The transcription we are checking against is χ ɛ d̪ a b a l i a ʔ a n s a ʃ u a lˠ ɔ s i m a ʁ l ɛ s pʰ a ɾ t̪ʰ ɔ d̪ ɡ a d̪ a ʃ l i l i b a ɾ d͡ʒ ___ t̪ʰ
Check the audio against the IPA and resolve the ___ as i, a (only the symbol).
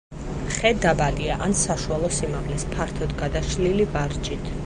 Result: i